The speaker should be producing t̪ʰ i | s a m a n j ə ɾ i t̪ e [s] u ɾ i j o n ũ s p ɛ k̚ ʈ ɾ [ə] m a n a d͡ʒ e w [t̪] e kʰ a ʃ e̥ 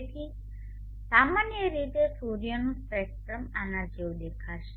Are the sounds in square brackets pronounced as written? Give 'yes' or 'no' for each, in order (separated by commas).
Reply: yes, yes, no